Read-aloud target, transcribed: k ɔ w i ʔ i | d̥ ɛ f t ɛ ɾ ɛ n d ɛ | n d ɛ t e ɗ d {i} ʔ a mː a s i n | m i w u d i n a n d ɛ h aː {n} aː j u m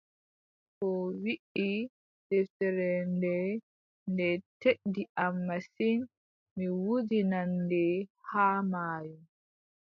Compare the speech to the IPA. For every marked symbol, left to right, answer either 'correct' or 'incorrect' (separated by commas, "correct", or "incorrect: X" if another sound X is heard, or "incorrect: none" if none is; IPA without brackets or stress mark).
correct, incorrect: m